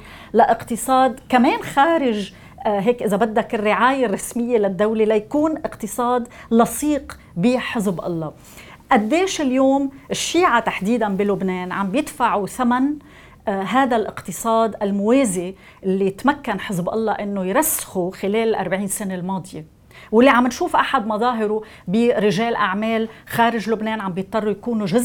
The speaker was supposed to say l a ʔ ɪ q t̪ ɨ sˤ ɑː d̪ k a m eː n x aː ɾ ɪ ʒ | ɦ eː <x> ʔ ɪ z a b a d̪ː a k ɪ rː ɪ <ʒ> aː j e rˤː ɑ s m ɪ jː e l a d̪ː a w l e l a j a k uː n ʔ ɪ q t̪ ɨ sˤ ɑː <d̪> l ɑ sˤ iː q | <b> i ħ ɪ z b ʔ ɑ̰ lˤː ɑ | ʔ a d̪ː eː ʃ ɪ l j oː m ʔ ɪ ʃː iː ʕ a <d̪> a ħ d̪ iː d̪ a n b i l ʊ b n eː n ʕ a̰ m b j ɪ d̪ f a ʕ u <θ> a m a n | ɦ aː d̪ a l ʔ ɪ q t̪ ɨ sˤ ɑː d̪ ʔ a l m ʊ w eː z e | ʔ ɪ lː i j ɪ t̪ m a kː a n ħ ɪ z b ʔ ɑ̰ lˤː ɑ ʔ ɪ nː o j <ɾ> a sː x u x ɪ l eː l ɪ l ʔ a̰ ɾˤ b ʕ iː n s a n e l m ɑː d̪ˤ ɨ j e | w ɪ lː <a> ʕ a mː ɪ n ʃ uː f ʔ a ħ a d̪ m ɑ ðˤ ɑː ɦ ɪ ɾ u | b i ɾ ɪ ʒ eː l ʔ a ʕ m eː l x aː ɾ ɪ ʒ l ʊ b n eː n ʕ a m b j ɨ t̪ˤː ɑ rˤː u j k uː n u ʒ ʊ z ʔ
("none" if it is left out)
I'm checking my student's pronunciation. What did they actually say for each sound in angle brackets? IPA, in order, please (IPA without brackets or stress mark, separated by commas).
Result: k, ʕ, d̪, b, t̪, θ, ɾ, i